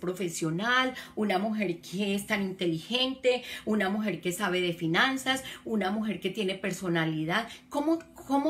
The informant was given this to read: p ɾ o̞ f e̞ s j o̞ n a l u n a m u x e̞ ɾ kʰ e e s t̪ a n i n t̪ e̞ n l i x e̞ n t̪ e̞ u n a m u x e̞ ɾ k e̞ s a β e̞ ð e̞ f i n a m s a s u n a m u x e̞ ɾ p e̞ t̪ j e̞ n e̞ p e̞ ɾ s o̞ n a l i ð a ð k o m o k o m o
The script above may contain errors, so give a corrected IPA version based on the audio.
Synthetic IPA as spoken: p ɾ o̞ f e̞ s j o̞ n a l u n a m u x e̞ ɾ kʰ e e s t̪ a n i n t̪ e̞ l i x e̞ n t̪ e̞ u n a m u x e̞ ɾ k e̞ s a β e̞ ð e̞ f i n a n s a s u n a m u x e̞ ɾ k e̞ t̪ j e̞ n e̞ p e̞ ɾ s o̞ n a l i ð a ð k o m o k o m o